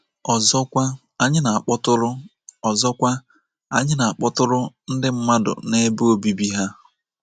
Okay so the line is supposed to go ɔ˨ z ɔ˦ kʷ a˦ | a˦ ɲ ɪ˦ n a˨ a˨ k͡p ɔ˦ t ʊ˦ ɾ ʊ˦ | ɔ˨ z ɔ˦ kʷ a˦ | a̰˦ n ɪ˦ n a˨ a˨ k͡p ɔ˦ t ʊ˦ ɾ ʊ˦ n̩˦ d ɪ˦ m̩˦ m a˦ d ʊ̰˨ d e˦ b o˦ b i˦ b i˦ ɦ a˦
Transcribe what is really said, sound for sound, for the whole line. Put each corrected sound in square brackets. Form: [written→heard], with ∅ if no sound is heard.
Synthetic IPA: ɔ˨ z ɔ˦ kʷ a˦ | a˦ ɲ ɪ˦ n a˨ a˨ k͡p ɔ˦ t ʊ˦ ɾ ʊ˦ | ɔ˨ z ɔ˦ kʷ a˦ | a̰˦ [n→ɲ] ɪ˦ n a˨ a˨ k͡p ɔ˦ t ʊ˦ ɾ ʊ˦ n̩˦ d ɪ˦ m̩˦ m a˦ d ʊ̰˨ [d→n] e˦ b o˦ b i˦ b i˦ ɦ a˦